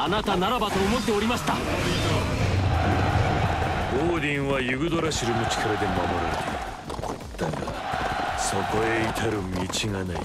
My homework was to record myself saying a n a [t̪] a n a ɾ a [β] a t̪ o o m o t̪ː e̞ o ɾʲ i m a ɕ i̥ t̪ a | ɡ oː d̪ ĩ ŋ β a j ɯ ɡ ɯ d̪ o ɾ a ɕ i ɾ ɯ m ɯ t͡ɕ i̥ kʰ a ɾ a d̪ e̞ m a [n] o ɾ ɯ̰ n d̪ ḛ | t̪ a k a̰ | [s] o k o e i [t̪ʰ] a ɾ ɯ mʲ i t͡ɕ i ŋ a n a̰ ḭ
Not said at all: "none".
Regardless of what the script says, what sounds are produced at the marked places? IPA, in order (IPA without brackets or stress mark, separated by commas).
t̪, b, m, s, t̪ʰ